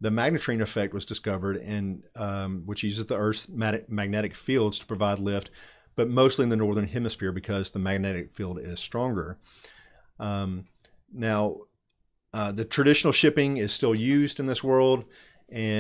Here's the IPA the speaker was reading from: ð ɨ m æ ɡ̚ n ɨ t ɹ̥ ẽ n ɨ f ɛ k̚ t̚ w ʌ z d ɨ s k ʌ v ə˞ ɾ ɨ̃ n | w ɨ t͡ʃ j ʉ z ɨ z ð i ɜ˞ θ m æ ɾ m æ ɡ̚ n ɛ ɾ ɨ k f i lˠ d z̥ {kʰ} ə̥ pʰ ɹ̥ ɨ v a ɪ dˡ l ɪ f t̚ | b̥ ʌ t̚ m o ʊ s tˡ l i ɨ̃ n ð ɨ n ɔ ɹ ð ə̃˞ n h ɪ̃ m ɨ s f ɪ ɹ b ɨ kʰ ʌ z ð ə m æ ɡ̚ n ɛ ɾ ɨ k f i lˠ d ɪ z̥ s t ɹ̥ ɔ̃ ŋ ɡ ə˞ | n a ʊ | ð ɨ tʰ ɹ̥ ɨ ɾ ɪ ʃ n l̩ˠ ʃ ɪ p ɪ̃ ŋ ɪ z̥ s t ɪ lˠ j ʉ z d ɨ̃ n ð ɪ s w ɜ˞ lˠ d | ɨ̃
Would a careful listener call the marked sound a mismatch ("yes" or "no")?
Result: yes